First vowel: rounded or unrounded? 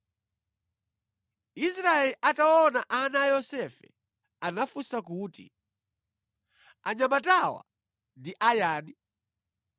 unrounded